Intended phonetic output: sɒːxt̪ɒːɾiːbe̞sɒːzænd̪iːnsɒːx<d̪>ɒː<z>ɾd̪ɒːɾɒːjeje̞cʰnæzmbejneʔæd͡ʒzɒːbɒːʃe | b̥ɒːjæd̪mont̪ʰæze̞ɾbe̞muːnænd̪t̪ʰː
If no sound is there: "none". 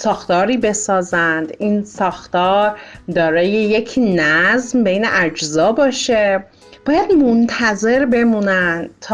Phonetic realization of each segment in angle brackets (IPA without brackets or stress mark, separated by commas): t̪, none